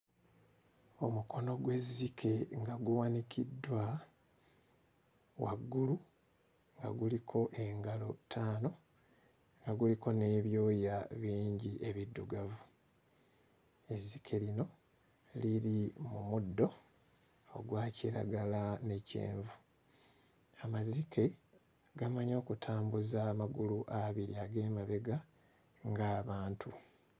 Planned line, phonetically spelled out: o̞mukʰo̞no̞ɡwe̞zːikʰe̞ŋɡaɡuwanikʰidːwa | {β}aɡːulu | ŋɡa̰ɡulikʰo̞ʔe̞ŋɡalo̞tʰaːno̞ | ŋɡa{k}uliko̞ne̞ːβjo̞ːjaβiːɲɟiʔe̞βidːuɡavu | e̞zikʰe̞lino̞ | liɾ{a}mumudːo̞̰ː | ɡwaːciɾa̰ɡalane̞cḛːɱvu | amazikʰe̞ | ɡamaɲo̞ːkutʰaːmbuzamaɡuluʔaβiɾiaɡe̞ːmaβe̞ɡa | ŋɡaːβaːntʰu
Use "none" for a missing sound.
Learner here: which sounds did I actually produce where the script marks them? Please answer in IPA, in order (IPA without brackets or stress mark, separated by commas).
w, ɡ, i